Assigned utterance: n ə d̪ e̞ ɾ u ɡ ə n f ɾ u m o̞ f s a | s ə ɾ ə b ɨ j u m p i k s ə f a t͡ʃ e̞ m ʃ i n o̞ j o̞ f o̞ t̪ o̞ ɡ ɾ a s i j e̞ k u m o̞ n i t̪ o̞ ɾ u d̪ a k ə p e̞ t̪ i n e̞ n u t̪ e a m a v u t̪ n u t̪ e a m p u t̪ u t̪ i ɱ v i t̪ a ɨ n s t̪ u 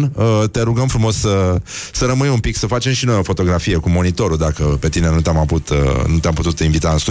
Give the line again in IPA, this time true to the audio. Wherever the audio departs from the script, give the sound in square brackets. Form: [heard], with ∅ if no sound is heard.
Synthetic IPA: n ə [t̪] e̞ ɾ u ɡ ə [m] f ɾ u m o̞ [s] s [ə] | s ə ɾ ə [m] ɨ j u m p i k s ə f a t͡ʃ e̞ m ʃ i n o̞ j o̞ f o̞ t̪ o̞ ɡ ɾ a [f] i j e̞ k u m o̞ n i t̪ o̞ ɾ u d̪ a k ə p e̞ t̪ i n e̞ n u t̪ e a m a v u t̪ n u t̪ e a m p u t̪ u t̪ i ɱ v i t̪ a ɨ n s t̪ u